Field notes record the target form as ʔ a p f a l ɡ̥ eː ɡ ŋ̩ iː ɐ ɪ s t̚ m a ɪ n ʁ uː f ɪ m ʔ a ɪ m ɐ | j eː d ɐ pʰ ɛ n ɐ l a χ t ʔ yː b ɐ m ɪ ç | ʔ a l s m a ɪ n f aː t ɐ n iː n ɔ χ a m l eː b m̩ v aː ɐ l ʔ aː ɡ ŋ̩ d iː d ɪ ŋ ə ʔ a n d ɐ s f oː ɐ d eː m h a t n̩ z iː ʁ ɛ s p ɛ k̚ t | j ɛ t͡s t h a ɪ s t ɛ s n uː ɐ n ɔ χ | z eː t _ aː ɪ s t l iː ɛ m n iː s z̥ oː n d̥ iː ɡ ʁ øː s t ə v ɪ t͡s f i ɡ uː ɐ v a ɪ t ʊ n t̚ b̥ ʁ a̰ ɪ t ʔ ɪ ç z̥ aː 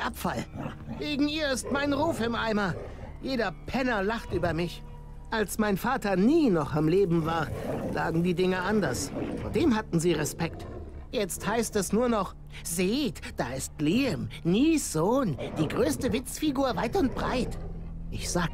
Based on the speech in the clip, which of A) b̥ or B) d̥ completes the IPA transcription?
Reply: B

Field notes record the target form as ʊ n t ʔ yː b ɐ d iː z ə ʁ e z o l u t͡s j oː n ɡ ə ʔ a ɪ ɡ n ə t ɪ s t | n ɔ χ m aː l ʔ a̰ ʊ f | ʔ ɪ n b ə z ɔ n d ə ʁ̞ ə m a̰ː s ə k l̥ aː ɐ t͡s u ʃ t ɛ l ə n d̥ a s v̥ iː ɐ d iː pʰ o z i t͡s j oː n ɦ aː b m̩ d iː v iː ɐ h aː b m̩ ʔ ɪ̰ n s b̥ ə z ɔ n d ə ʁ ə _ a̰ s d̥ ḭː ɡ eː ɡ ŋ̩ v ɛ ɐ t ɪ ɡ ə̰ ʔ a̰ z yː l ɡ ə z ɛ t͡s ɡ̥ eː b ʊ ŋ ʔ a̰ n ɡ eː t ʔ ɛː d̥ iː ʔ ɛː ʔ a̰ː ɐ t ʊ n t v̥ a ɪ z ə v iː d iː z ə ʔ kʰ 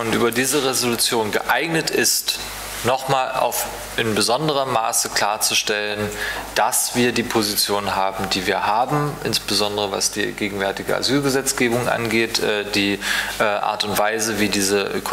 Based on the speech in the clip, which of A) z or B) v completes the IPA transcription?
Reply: B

